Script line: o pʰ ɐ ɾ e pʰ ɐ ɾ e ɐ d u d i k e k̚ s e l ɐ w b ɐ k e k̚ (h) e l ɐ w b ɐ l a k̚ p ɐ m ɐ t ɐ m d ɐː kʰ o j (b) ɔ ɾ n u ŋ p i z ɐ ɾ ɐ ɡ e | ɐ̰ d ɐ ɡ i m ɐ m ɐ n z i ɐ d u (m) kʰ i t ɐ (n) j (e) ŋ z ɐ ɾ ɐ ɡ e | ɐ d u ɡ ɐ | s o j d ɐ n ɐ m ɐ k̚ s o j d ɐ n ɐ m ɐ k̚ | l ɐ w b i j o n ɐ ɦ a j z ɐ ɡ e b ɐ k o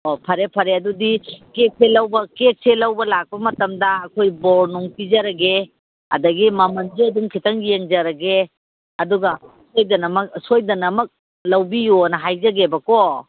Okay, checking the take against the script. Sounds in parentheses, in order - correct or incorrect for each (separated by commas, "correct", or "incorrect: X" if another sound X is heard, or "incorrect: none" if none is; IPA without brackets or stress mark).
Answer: incorrect: s, correct, incorrect: ŋ, incorrect: ŋ, correct